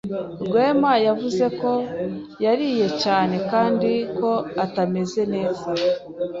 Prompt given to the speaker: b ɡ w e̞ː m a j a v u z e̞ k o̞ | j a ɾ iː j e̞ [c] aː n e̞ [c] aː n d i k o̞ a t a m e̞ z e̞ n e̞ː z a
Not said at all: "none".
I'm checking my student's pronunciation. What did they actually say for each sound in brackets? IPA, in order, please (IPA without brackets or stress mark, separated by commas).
c, k